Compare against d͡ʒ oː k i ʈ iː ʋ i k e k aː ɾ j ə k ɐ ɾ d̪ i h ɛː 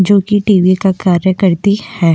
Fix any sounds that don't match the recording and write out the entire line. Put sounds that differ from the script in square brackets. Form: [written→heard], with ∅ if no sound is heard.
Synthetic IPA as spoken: d͡ʒ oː k i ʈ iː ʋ i k [e→a] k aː ɾ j ə k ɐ ɾ [d̪→t̪] i h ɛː